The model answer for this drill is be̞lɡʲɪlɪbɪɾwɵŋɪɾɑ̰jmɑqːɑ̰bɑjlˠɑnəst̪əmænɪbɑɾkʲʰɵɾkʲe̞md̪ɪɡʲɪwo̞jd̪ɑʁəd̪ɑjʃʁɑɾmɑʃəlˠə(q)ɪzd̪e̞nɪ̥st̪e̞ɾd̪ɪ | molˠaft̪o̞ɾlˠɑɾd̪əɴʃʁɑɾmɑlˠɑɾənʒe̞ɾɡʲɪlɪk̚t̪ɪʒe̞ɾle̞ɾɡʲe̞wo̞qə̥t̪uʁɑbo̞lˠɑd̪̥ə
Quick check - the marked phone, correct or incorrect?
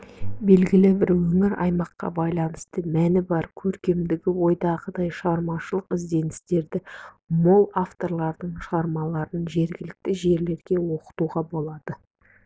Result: correct